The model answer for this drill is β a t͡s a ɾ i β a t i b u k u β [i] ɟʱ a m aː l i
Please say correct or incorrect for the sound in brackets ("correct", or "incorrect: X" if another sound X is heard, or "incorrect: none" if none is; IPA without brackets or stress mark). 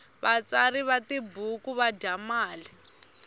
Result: incorrect: a